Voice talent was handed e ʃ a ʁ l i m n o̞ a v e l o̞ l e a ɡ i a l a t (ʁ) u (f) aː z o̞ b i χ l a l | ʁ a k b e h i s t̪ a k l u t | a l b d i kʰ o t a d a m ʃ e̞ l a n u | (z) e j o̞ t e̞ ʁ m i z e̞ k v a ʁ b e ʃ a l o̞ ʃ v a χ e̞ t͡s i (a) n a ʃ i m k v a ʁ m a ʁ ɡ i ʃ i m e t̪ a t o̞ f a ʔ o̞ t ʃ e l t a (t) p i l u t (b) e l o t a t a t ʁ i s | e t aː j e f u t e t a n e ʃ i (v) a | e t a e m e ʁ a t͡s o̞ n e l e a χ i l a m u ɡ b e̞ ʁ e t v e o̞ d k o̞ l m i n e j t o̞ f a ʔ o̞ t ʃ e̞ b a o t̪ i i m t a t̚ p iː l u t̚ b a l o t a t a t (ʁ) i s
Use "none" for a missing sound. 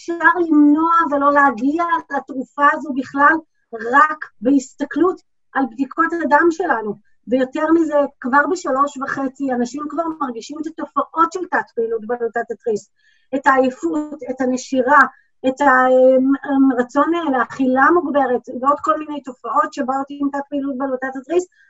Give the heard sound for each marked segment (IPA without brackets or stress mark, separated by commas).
ʁ, f, v, a, t, b, ʁ, ʁ